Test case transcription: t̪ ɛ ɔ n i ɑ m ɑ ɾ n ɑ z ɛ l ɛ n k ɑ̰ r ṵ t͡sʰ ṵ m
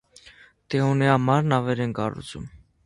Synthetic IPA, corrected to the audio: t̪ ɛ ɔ n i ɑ m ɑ ɾ n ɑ v ɛ ɾ ɛ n k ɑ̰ r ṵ t͡sʰ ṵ m